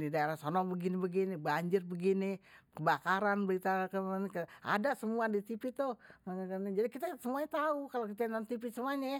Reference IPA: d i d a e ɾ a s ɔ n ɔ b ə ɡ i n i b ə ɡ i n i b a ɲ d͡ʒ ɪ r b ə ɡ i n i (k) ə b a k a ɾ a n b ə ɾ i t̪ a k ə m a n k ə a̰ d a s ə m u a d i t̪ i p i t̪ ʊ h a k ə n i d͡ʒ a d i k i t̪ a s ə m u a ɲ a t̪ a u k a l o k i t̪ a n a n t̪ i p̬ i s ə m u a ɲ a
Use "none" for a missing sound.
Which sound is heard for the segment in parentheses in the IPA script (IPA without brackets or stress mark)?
k